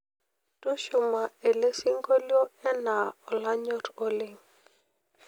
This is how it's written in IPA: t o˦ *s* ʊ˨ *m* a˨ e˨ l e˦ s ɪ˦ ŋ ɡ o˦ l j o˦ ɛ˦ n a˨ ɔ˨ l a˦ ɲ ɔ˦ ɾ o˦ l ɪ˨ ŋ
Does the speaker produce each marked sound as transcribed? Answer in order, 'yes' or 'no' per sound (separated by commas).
no, yes